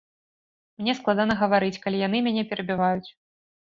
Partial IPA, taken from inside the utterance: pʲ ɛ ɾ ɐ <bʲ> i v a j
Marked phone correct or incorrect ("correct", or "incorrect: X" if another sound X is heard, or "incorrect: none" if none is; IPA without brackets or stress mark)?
correct